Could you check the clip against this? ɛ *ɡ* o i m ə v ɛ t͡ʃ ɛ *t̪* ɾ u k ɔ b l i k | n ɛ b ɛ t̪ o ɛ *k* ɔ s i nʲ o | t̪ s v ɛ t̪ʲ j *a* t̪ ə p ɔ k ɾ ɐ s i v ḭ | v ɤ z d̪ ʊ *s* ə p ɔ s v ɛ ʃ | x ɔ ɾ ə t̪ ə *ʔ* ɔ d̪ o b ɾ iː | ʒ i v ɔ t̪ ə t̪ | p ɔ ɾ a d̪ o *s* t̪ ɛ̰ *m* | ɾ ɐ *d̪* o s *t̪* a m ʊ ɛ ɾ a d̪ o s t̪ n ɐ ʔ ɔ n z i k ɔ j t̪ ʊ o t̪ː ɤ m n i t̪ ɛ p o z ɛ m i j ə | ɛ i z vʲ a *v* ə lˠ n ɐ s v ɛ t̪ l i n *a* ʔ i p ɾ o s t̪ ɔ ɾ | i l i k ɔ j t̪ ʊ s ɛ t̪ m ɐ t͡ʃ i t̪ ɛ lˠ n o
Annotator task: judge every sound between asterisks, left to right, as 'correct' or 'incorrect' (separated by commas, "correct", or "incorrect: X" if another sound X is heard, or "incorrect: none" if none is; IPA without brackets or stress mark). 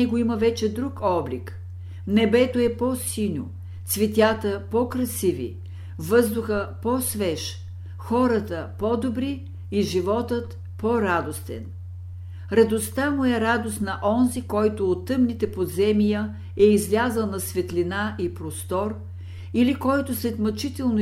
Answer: correct, incorrect: d̪, incorrect: p, correct, incorrect: x, incorrect: p, correct, incorrect: n, correct, correct, incorrect: z, correct